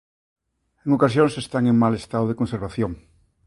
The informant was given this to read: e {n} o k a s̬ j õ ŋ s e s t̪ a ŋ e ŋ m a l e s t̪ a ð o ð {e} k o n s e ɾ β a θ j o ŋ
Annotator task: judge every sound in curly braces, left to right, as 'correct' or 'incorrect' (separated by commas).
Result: incorrect, correct